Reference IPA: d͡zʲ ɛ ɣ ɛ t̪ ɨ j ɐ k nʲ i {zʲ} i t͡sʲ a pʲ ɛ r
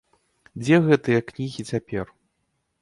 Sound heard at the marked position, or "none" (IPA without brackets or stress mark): ɣʲ